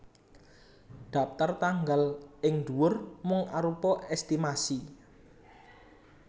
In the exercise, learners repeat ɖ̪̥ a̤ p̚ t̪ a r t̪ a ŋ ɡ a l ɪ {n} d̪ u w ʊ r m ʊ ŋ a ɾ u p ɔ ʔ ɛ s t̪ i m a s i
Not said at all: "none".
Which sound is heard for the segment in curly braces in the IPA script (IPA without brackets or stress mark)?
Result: ŋ